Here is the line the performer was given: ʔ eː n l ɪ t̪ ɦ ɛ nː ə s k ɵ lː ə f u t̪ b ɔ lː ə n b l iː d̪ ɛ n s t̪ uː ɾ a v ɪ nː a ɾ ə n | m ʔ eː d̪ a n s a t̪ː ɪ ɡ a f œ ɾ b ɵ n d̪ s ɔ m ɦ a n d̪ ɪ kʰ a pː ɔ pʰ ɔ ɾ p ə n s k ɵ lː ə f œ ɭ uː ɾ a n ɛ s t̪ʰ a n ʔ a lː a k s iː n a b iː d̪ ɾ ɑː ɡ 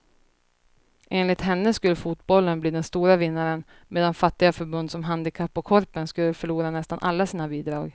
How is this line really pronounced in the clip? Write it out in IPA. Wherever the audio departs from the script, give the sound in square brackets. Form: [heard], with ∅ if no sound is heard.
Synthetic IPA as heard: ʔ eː n l ɪ t̪ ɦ ɛ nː ə s k ɵ lː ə f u t̪ b ɔ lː ə n b l iː d̪ ɛ n s t̪ uː ɾ a v ɪ nː a ɾ ə n | m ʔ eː d̪ a n [f] a t̪ː ɪ ɡ a f œ ɾ b ɵ n d̪ s ɔ m ɦ a n d̪ ɪ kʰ a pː ɔ [kʰ] ɔ ɾ p ə n s k ɵ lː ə f œ ɭ uː ɾ a n ɛ s [t̪] a n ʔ a lː a [∅] s iː n a b iː d̪ ɾ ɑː ɡ

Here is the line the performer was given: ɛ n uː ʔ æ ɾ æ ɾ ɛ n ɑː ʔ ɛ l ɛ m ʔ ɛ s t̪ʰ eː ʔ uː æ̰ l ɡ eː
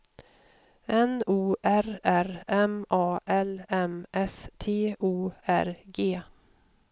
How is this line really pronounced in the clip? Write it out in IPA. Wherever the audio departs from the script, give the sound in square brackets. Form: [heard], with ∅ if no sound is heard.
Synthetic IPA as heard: ɛ n uː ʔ æ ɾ æ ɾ ɛ [m] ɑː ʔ ɛ l ɛ m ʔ ɛ s t̪ʰ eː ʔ uː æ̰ [ɾ] ɡ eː

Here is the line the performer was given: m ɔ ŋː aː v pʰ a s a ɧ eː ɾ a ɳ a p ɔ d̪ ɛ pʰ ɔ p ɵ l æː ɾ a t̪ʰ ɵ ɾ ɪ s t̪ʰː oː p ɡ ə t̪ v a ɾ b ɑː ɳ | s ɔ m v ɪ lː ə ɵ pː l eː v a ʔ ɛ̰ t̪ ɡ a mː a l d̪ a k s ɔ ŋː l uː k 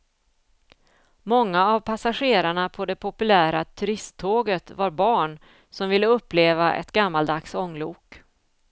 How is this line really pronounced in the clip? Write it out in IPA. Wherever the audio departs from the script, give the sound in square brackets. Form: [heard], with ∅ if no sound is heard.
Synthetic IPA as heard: m ɔ ŋː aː v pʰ a s a ɧ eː ɾ a ɳ a [pʰ] ɔ d̪ ɛ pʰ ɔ p ɵ l æː ɾ a t̪ʰ ɵ ɾ ɪ s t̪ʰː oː [∅] ɡ ə t̪ v a ɾ b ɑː ɳ | s ɔ m v ɪ lː ə ɵ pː l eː v a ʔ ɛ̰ t̪ ɡ a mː a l d̪ a k s ɔ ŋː l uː k

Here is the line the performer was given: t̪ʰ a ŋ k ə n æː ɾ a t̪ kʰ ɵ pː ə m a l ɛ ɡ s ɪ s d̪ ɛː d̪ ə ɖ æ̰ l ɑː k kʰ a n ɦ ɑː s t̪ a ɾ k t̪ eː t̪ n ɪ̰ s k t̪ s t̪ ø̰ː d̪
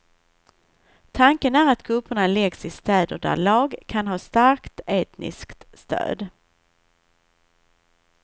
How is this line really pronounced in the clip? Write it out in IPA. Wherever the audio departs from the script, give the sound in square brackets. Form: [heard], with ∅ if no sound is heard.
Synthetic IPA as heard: t̪ʰ a ŋ k ə n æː ɾ a t̪ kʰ ɵ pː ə [ɳ] a l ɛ ɡ s ɪ s [t̪] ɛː d̪ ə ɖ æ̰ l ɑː [ɡ] kʰ a n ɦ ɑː s t̪ a ɾ k t̪ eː t̪ n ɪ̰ s k t̪ s t̪ ø̰ː d̪

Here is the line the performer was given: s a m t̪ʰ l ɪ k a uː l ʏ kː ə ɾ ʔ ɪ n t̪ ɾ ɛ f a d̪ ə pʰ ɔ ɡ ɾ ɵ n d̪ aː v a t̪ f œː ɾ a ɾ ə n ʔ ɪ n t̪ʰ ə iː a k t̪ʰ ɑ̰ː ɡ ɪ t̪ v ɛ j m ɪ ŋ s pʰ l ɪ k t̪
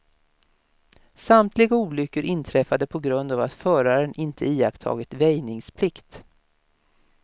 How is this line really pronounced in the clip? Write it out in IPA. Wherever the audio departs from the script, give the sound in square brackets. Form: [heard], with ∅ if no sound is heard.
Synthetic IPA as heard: s a m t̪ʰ l ɪ [ɡ] a uː l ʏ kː ə ɾ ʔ ɪ n [t̪ʰ] ɾ ɛ f a d̪ ə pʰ ɔ ɡ ɾ ɵ n d̪ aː v a t̪ f œː ɾ a ɾ ə n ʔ ɪ n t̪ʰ ə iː a k t̪ʰ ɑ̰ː ɡ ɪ t̪ v ɛ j [n] ɪ ŋ s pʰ l ɪ k t̪

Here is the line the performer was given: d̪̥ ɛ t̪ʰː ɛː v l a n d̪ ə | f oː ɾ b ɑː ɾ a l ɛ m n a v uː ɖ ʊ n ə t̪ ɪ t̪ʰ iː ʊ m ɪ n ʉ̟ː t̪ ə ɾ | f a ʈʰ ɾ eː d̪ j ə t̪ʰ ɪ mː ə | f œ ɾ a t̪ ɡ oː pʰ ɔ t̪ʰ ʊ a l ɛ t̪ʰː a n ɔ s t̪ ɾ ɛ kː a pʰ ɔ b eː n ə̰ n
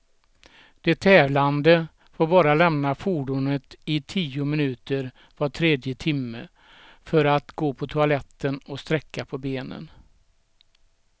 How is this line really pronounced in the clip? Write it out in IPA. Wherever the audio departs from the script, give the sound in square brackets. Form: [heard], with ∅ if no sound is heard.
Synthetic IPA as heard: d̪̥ ɛ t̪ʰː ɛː v l a n d̪ ə | f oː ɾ b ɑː ɾ a l ɛ m n a [f] uː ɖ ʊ n ə t̪ ɪ t̪ʰ iː ʊ m ɪ n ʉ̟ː t̪ ə ɾ | [v] a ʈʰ ɾ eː d̪ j ə t̪ʰ ɪ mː ə | f œ ɾ a t̪ ɡ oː pʰ ɔ t̪ʰ ʊ a l ɛ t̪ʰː [ə] n ɔ s t̪ ɾ ɛ kː a pʰ ɔ b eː n ə̰ n

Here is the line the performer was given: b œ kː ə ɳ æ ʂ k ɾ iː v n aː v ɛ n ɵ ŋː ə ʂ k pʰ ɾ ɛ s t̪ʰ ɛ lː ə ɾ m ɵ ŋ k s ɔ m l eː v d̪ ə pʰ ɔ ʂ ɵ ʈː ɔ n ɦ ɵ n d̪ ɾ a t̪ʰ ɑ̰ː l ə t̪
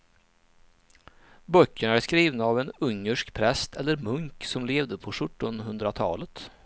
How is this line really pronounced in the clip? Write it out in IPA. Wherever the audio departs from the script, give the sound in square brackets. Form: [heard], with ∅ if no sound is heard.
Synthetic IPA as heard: b œ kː ə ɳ æ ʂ k ɾ iː v n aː v ɛ n ɵ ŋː ə ʂ k pʰ ɾ ɛ s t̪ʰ ɛ lː ə ɾ m ɵ ŋ k s ɔ m l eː v d̪ ə pʰ ɔ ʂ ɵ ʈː ɔ n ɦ ɵ n d̪ ɾ a t̪ʰ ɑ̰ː l ə t̪

